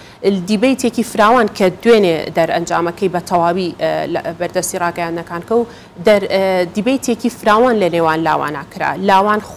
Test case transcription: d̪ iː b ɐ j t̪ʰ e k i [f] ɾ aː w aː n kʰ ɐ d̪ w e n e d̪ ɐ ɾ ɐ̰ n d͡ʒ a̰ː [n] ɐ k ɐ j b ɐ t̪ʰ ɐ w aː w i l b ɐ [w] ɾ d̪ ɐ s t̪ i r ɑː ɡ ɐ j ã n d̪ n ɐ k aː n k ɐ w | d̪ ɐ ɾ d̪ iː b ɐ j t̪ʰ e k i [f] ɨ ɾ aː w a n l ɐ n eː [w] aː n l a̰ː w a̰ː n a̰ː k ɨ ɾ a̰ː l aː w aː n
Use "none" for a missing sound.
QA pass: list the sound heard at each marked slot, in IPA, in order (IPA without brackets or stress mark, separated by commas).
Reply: f, m, none, f, w